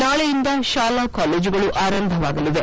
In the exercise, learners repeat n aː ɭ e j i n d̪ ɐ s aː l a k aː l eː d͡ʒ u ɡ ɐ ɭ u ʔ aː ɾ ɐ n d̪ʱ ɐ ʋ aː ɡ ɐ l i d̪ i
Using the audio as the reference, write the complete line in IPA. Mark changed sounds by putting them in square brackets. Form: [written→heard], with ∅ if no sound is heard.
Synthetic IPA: n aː ɭ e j i n d̪ ɐ [s→ʃ] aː l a k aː l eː d͡ʒ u ɡ ɐ ɭ u ʔ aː ɾ ɐ n d̪ʱ ɐ ʋ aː ɡ ɐ l i d̪ [i→e]